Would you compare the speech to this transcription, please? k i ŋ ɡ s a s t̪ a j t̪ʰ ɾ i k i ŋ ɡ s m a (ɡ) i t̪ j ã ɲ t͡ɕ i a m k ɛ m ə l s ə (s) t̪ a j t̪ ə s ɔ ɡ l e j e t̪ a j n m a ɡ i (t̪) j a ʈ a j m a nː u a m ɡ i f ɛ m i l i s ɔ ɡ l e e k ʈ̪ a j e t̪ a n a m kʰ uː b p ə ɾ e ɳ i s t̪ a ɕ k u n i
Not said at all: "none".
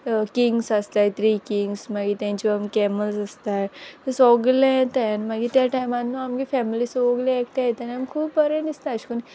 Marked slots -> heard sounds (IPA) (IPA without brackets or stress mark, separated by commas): ɡ, s, t̪